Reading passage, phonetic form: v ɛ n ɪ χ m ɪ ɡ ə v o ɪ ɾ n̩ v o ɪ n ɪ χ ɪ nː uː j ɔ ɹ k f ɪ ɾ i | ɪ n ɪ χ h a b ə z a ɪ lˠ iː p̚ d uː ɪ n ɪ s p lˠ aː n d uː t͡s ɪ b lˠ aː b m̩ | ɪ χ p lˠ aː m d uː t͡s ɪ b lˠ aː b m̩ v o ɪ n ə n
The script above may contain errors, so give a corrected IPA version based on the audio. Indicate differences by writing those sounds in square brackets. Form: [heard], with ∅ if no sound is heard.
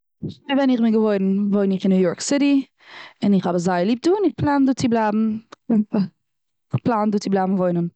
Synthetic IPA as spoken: v ɛ n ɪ χ m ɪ ɡ ə v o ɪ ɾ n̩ v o ɪ n ɪ χ ɪ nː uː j ɔ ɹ k [s] ɪ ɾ i | ɪ n ɪ χ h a b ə z a ɪ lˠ iː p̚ d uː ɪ n ɪ [χ] p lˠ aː n d uː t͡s ɪ b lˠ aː b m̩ | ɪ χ p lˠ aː [n] d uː t͡s ɪ b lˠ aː b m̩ v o ɪ n ə n